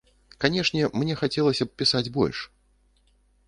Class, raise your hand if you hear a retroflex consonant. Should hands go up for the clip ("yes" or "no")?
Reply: yes